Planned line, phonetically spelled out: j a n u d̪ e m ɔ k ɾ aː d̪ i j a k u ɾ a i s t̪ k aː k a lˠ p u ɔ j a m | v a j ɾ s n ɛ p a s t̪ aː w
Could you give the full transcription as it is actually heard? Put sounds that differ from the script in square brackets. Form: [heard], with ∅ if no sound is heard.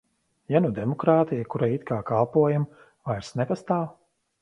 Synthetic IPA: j a n u d̪ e m ɔ k ɾ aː [t̪] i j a k u ɾ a i [∅] t̪ k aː k a lˠ p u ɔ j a m | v a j ɾ s n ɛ p a s t̪ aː w